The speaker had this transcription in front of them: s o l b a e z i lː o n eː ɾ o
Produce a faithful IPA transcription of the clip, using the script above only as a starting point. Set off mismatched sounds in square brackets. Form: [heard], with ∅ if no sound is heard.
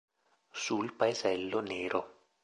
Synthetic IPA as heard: s [u] l [p] a e z [ɛ] lː o n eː ɾ o